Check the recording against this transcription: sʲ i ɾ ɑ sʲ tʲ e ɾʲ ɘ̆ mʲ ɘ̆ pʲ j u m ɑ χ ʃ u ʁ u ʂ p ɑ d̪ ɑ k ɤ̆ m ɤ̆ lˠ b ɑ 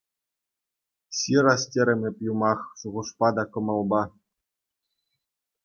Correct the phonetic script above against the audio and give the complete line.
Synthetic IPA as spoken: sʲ i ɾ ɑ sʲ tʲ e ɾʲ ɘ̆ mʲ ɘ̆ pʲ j u m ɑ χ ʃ u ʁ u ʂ p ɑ d̪ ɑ k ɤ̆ m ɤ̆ lˠ b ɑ